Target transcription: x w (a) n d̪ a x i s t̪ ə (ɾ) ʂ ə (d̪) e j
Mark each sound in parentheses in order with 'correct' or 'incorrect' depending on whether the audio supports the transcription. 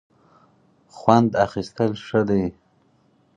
correct, incorrect: l, correct

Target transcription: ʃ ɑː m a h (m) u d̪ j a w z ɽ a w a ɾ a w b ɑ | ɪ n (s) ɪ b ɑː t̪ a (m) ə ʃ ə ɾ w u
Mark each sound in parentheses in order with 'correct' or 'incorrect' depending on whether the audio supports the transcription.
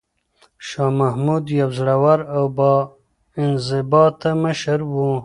correct, incorrect: z, correct

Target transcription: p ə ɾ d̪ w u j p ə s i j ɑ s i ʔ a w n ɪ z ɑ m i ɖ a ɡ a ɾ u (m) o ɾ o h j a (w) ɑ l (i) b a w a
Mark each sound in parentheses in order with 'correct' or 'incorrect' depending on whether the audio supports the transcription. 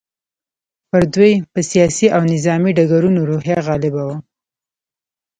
incorrect: n, incorrect: ɣ, incorrect: ɪ

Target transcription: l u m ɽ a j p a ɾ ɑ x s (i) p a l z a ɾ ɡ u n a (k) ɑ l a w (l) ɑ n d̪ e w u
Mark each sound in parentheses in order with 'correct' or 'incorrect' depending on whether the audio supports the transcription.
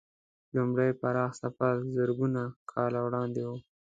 incorrect: a, incorrect: kʰ, incorrect: ɽ

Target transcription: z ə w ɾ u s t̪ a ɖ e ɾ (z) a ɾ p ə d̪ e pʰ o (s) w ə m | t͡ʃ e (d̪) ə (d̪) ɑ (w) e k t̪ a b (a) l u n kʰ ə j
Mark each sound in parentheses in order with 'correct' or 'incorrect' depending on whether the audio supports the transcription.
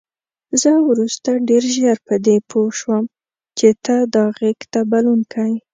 incorrect: ʒ, incorrect: ʃ, incorrect: t̪, correct, incorrect: ɣ, correct

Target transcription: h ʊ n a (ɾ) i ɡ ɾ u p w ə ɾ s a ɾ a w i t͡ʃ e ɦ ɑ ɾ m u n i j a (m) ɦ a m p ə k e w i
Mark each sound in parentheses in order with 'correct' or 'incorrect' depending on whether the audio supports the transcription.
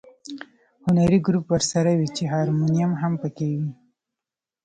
correct, correct

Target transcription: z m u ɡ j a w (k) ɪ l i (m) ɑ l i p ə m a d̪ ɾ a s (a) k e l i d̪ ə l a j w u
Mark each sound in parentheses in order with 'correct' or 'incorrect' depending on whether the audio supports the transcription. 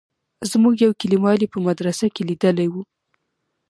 correct, correct, correct

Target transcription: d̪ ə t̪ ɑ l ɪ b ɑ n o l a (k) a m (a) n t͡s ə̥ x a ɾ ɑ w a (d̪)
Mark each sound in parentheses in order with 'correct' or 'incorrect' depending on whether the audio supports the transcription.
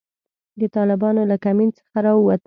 correct, incorrect: i, incorrect: t̪

